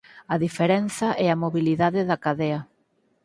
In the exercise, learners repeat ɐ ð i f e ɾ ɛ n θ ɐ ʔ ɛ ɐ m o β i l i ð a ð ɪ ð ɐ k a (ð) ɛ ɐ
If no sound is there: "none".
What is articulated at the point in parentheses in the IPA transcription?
ð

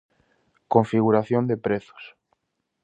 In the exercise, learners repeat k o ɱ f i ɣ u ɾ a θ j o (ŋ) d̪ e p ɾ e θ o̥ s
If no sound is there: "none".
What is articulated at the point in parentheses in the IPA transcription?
n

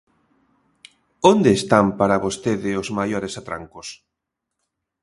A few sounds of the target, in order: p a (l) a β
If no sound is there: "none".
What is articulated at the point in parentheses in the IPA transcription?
ɾ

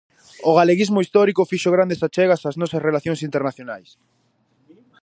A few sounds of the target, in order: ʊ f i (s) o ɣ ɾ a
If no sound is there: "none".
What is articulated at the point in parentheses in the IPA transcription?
ʃ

